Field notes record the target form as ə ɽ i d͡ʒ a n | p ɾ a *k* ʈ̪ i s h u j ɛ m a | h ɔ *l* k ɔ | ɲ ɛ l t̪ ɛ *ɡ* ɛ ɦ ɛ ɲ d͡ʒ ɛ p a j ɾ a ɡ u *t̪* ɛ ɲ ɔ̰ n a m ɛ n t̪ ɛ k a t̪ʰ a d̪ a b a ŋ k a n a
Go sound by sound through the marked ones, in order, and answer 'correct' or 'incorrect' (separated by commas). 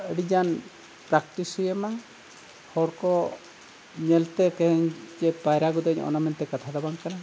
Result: correct, incorrect, incorrect, incorrect